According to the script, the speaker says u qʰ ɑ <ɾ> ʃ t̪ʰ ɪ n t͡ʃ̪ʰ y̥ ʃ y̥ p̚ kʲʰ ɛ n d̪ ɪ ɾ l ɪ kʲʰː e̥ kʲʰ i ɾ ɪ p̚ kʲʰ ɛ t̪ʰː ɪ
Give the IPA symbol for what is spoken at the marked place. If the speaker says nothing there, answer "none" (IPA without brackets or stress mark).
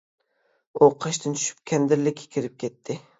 none